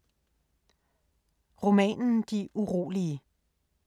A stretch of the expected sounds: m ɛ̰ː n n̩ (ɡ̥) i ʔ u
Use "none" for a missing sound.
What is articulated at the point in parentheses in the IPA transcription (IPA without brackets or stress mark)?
d̥